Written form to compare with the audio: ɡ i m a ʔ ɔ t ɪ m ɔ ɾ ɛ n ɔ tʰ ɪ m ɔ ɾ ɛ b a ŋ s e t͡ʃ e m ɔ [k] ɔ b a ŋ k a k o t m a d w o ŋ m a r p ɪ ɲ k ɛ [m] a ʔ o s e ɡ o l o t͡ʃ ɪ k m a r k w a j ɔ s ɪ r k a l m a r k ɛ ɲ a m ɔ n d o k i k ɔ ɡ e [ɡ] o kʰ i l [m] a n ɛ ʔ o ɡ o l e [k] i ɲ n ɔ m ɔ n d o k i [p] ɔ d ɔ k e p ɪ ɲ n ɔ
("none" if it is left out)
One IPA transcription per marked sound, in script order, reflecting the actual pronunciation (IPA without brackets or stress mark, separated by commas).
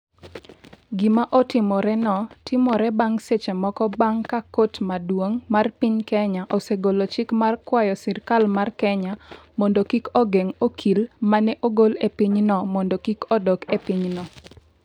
k, ɲ, ŋ, m, p, k